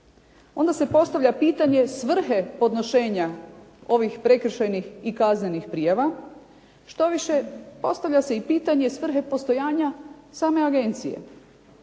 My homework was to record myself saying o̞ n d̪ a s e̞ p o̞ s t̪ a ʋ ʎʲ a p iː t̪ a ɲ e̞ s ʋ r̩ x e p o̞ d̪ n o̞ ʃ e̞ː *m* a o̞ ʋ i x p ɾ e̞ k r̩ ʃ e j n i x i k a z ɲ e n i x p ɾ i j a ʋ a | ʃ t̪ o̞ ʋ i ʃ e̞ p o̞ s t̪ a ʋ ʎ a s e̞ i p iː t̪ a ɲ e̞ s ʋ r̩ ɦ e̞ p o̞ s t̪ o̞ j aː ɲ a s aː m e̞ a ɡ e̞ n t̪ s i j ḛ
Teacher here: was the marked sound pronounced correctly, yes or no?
no